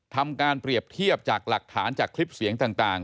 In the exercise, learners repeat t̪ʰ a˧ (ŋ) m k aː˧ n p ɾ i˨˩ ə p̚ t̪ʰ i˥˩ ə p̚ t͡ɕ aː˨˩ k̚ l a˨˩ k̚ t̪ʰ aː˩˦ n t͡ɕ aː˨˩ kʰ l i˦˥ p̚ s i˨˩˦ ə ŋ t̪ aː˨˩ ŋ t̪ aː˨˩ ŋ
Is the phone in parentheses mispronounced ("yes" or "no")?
yes